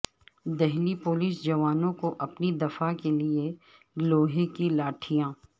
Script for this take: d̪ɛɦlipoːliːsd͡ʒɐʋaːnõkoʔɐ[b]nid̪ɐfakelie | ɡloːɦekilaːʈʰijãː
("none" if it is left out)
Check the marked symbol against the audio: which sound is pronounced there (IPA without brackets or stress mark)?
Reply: p